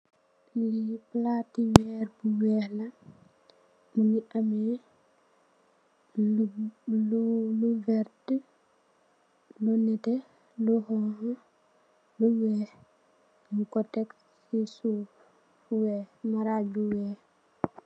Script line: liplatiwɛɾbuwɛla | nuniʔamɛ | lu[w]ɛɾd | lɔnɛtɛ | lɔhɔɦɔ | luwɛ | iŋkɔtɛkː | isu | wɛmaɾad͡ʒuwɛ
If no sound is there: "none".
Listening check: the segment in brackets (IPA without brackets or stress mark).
v